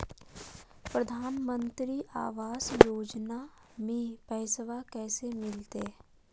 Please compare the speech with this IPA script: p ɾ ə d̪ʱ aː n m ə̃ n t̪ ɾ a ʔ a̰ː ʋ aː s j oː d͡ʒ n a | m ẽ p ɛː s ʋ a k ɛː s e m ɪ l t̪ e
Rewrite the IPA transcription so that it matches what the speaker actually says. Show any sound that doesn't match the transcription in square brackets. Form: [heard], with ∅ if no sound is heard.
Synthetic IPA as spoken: p ɾ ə d̪ʱ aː n m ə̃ n t̪ ɾ [i] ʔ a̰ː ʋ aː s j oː d͡ʒ n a | m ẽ p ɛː s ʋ a k ɛː s e m ɪ l t̪ e